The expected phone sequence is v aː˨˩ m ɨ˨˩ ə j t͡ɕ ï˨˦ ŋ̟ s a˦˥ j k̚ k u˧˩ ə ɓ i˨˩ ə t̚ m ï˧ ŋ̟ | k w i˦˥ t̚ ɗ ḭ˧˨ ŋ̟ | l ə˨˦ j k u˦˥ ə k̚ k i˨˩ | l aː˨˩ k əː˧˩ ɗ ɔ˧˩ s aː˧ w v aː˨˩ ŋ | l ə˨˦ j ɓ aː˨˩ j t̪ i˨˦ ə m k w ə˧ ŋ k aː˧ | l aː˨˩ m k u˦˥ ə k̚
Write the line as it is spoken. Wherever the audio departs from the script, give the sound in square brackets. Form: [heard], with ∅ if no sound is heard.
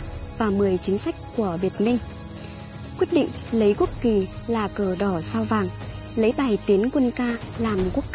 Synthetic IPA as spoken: v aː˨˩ m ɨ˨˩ ə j t͡ɕ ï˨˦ ŋ̟ s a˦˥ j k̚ k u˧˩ ə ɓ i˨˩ ə t̚ m ï˧ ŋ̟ | k w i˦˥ t̚ ɗ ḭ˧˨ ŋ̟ | l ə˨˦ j k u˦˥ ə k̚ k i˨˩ | l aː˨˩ k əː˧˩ ɗ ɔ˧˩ s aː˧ w v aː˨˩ ŋ | l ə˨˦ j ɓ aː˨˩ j t̪ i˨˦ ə [n] k w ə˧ [n] k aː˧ | l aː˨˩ m k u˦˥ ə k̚